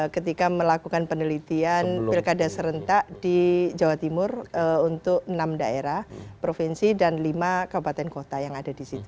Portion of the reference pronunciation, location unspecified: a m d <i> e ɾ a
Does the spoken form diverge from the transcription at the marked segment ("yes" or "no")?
yes